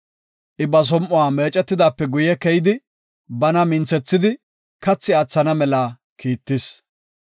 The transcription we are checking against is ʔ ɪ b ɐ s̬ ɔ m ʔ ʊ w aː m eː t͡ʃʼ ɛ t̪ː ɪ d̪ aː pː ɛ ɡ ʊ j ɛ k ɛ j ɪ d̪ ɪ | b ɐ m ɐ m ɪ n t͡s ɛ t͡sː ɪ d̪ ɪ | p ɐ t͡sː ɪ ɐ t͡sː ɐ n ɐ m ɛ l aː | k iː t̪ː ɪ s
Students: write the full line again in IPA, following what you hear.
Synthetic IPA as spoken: ʔ ɪ b ɐ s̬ ɔ m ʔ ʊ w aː m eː t͡ʃʼ ɛ t̪ː ɪ d̪ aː pː ɛ ɡ ʊ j ɛ k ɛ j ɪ d̪ ɪ | b ɐ n ɐ m ɪ n t͡s ɛ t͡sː ɪ d̪ ɪ | k ɐ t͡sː ɪ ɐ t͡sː ɐ n ɐ m ɛ l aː | k iː t̪ː ɪ s